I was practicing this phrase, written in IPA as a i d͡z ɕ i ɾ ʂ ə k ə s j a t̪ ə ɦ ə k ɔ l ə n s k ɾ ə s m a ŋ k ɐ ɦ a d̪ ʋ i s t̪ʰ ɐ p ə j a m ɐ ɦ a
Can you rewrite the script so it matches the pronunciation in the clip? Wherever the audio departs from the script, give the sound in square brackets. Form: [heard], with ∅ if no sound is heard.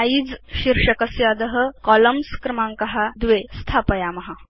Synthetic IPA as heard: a i d͡z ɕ i ɾ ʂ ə k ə s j a [d̪] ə ɦ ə k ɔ l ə [m] s k ɾ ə [∅] m a ŋ k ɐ ɦ a d̪ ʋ [e] s t̪ʰ [a] p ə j a m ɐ ɦ a